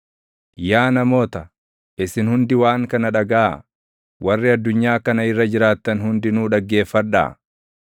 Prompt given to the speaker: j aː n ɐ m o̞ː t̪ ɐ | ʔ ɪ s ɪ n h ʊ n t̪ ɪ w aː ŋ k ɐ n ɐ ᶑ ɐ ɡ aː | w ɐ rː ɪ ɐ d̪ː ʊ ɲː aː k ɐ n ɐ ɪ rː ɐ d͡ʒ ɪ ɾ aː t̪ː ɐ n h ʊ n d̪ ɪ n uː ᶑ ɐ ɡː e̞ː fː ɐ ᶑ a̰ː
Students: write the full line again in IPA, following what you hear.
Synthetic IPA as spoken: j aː n ɐ m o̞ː t̪ ɐ | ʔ ɪ s ɪ n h ʊ n d̪ ɪ w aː ŋ k ɐ n ɐ ᶑ ɐ ɡ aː | w ɐ rː ɪ ɐ d̪ː ʊ ɲː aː k ɐ n ɐ ɪ rː ɐ d͡ʒ ɪ ɾ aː t̪ː ɐ n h ʊ n d̪ ɪ n uː ᶑ ɐ ɡː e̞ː fː ɐ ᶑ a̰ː